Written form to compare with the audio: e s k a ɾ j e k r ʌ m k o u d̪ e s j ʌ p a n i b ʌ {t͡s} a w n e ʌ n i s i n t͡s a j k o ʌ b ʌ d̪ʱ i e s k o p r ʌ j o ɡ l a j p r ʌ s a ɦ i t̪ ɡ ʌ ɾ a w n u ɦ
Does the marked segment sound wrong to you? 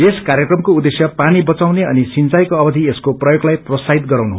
no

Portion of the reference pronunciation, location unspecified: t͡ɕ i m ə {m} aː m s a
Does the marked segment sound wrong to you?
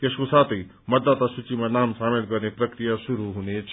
yes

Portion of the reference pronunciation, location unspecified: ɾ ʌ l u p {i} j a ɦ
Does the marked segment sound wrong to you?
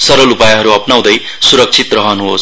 yes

